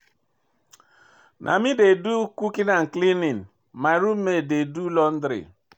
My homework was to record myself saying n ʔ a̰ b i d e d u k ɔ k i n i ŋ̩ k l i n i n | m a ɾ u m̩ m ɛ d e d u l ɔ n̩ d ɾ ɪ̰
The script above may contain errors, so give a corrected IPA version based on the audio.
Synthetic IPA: n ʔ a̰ m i d e d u k u k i n a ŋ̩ k l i n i n | m a ɾ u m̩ m e d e d u l ɔ n̩ d ɾ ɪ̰